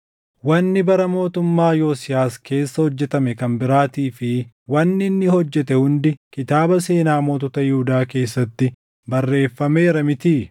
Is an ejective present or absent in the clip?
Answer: absent